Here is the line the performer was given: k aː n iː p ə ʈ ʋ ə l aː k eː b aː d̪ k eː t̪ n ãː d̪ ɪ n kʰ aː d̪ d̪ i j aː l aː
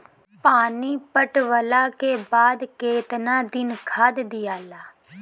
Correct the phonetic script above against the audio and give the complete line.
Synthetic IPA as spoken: p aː n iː p ə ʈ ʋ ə l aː k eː b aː d̪ k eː t̪ n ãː d̪ ɪ n kʰ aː d̪ d̪ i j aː l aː